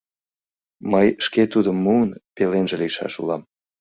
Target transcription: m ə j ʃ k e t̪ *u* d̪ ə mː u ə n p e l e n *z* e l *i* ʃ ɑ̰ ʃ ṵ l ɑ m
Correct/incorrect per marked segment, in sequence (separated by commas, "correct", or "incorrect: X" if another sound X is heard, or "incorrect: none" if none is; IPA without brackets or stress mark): correct, incorrect: ʒ, correct